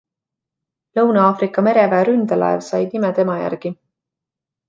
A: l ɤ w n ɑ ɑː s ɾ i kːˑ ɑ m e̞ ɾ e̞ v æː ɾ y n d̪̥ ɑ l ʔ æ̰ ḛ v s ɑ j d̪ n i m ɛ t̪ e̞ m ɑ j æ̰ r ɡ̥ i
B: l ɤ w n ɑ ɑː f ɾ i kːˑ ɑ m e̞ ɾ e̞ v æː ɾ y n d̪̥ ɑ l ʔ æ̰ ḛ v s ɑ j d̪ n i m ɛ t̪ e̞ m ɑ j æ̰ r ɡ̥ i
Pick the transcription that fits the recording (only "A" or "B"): B